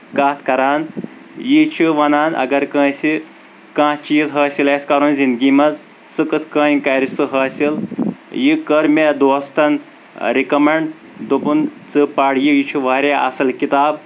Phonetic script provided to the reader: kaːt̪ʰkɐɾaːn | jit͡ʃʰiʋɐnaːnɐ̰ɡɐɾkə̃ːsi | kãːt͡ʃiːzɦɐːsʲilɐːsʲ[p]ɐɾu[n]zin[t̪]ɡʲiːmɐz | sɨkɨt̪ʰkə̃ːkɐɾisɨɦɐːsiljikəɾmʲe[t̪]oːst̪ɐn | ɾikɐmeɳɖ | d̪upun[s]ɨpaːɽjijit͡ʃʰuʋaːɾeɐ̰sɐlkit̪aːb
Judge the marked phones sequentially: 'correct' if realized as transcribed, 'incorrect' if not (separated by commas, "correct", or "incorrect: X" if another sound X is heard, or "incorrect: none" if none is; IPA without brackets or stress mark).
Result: incorrect: k, correct, incorrect: d̪, incorrect: d̪, incorrect: t͡s